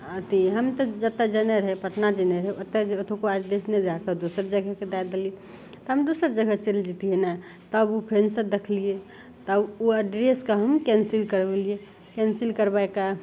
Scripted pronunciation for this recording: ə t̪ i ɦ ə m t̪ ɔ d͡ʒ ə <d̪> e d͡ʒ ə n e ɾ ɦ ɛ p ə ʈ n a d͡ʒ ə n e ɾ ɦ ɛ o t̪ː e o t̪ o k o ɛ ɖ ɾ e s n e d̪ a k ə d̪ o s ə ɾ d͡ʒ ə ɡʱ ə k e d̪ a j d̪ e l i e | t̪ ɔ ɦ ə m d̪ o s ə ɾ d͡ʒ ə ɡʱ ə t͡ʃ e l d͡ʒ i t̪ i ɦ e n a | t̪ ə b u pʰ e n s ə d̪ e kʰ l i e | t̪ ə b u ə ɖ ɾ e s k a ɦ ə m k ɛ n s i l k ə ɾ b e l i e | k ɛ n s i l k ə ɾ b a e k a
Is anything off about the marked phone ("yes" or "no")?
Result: yes